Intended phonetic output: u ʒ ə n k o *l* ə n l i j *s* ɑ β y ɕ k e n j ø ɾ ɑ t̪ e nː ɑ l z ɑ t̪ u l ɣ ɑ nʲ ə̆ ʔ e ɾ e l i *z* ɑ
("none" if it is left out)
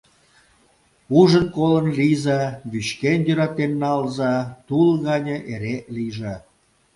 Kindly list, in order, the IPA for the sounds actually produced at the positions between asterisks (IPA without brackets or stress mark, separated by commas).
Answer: l, z, ʒ